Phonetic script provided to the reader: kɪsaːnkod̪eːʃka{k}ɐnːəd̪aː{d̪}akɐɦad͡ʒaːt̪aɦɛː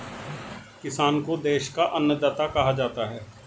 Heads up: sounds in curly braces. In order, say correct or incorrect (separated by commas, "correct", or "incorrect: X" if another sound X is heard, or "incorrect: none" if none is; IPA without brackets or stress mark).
incorrect: ʔ, incorrect: t̪